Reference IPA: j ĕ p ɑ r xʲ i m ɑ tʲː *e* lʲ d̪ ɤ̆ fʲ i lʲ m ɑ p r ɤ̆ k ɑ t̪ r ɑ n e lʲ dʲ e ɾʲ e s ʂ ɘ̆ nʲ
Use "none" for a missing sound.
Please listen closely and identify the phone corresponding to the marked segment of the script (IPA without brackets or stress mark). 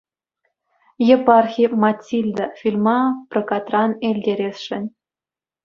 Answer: i